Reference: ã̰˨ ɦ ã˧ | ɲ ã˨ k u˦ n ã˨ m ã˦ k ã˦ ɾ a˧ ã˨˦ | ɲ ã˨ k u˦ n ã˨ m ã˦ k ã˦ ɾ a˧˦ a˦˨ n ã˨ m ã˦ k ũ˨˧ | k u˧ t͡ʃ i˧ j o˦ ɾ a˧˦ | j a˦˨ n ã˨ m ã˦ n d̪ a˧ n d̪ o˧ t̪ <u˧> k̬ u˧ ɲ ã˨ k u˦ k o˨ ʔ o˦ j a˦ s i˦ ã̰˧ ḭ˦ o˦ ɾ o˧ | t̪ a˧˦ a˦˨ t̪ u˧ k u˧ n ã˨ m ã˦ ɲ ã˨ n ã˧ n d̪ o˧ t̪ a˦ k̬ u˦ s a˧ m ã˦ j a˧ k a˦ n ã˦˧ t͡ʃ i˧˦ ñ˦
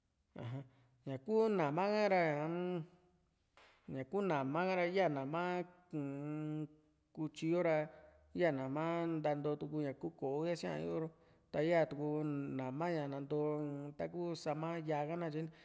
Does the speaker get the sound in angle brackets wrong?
no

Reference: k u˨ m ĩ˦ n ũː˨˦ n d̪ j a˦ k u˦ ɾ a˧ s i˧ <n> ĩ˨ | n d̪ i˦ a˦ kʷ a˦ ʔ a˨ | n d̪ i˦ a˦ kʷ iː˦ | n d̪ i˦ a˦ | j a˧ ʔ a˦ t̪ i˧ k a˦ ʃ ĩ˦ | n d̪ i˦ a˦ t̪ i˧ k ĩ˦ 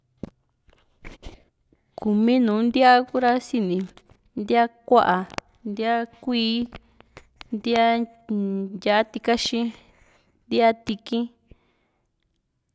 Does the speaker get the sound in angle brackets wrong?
no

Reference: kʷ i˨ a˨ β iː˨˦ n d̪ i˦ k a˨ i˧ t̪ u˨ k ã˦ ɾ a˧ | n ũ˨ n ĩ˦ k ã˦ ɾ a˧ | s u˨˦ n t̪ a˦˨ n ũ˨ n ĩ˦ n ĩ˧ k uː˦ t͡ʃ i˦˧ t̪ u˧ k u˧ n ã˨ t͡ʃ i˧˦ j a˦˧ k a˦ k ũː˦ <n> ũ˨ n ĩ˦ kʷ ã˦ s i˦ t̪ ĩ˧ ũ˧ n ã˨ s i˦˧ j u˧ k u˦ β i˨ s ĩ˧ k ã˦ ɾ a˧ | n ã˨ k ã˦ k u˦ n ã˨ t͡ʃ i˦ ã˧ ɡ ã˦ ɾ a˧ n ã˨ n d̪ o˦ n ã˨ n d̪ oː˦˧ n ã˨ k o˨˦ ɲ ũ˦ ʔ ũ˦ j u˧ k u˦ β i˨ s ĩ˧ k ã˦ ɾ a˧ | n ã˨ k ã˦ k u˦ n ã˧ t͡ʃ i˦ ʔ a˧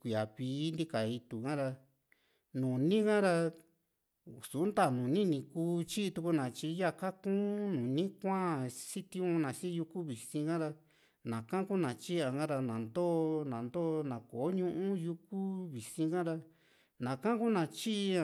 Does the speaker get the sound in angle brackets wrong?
no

